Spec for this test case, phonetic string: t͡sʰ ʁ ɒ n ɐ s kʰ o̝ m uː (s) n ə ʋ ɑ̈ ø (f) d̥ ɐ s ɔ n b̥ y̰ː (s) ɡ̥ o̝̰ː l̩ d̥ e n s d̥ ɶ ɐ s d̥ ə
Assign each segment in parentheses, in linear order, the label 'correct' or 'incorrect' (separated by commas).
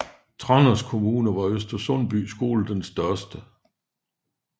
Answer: incorrect, incorrect, correct